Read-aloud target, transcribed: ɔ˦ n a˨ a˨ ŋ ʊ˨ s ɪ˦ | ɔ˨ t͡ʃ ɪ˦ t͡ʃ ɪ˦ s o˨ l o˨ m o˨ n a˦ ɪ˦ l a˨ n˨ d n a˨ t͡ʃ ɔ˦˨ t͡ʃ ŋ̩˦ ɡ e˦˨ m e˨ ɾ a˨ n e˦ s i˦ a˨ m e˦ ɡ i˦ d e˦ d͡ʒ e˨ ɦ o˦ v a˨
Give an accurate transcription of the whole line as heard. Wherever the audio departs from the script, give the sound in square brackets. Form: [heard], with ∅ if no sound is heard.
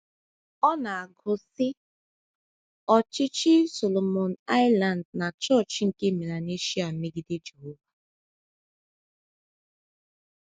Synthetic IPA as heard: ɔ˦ n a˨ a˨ [ɡ] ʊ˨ s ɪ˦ | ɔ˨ t͡ʃ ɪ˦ t͡ʃ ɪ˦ s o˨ l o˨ m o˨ n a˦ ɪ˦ l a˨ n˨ d n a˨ t͡ʃ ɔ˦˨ t͡ʃ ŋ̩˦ [k] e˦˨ m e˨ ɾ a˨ n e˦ [ʃ] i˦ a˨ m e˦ ɡ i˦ d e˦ d͡ʒ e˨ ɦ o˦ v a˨